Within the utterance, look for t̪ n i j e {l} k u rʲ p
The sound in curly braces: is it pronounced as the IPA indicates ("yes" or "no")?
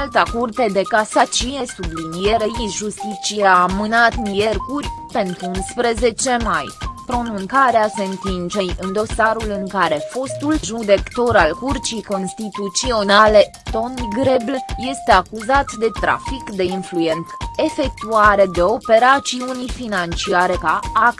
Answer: no